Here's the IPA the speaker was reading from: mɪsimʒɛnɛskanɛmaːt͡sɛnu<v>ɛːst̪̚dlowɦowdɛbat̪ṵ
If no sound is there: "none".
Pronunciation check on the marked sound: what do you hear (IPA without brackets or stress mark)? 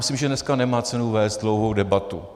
v